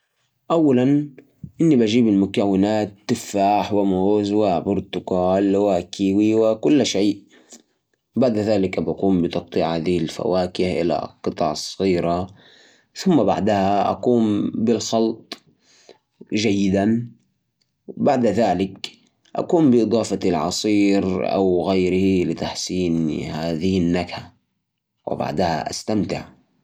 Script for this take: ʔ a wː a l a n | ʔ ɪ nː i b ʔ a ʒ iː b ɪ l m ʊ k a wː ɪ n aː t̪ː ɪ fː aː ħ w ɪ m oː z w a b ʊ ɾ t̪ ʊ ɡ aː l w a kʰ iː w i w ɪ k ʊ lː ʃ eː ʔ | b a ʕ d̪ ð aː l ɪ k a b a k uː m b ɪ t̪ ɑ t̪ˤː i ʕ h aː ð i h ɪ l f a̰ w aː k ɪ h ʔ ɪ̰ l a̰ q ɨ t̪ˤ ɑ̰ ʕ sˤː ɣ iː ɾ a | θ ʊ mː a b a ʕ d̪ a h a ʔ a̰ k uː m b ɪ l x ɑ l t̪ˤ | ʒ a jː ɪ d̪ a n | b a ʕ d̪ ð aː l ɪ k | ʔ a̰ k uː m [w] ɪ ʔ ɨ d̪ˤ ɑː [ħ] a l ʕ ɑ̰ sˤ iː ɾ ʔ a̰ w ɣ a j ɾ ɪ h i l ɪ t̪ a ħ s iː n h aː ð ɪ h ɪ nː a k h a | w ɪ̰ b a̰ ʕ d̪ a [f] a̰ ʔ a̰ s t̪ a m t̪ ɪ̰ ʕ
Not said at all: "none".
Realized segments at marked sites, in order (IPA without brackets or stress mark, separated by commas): b, f, h